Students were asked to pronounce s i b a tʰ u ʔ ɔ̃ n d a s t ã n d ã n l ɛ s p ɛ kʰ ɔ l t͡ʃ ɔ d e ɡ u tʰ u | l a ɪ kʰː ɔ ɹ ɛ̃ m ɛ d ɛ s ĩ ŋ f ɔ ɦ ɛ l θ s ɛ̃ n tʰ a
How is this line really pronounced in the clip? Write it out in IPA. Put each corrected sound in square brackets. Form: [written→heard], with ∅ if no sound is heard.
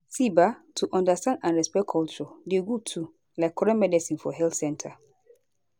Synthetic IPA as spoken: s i b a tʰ u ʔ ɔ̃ n d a s t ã n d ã n [l→ɹ] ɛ s p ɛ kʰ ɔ l t͡ʃ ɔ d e ɡ u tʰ u | l a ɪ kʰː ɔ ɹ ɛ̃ m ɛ d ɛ s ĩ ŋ f ɔ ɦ ɛ l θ s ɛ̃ n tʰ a